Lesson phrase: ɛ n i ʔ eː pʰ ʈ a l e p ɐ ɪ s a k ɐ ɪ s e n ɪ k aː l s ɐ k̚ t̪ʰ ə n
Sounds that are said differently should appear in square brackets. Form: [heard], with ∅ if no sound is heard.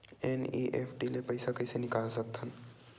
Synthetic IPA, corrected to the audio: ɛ n i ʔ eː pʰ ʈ [i] l e p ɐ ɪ s a k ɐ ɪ s e n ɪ k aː l s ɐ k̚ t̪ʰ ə n